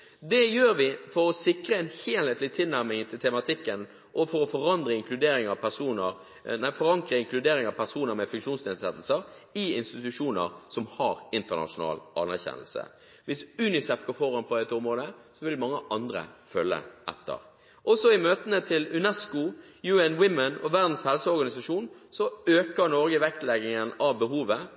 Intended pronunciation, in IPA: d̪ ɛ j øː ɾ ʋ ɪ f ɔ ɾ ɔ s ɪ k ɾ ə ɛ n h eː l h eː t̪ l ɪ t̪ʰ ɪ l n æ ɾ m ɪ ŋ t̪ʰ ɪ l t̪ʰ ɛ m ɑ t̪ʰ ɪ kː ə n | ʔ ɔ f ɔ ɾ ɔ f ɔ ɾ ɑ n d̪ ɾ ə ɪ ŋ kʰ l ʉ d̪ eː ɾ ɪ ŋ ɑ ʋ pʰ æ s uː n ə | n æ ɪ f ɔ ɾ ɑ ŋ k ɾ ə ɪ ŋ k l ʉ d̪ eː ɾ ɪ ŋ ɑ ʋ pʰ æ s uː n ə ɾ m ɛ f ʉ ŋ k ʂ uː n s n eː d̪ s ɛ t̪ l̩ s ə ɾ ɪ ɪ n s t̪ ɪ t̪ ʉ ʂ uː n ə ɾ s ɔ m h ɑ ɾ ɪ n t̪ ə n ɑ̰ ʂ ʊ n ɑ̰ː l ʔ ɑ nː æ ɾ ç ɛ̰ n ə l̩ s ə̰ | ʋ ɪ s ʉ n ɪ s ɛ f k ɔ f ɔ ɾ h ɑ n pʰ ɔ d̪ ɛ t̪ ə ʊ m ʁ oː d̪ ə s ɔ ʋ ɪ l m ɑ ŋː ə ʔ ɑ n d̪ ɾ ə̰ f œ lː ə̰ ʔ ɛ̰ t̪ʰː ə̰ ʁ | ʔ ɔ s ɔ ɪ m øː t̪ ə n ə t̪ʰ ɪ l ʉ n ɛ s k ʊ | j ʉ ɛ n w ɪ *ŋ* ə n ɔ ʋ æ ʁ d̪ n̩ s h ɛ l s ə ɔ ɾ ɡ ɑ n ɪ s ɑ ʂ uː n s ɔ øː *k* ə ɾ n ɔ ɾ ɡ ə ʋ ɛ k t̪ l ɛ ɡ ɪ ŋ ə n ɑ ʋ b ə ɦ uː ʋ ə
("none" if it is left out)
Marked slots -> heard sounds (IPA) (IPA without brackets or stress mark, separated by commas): m, k